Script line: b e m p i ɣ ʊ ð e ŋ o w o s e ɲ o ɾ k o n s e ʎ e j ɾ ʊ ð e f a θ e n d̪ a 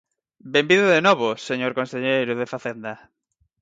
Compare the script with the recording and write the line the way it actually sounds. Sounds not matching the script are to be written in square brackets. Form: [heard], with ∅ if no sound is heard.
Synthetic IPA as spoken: b e m [b] i [ð] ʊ ð e [n] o [β] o s e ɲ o ɾ k o n s e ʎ e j ɾ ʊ ð e f a θ e n d̪ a